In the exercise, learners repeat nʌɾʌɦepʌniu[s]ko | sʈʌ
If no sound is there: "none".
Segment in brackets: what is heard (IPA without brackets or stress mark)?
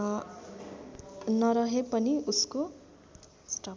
s